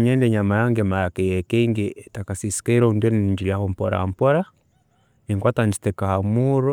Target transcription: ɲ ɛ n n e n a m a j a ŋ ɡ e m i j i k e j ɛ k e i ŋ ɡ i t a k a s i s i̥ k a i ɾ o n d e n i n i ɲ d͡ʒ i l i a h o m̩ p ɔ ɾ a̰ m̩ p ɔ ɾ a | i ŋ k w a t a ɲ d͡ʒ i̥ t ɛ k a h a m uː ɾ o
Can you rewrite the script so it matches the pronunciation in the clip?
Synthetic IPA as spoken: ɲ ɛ n d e ɲ a m a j a ŋ ɡ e m a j a k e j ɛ k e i ŋ ɡ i t a k a s i s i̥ k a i ɾ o n d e n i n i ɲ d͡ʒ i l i a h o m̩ p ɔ ɾ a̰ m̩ p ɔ ɾ a | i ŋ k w a t a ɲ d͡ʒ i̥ t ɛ k a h a m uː ɾ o